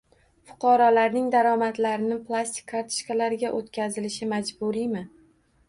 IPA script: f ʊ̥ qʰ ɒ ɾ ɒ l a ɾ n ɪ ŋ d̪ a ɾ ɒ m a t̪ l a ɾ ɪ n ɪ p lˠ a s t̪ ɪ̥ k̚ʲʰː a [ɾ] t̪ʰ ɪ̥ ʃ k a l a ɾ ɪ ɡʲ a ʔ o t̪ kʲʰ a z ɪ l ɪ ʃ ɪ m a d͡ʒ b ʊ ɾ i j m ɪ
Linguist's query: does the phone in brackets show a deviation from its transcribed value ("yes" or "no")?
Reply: no